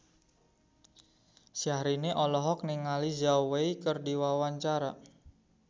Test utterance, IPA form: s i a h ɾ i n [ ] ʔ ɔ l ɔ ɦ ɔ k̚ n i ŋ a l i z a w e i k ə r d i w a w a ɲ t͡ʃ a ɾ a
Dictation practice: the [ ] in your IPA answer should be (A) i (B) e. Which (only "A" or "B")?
B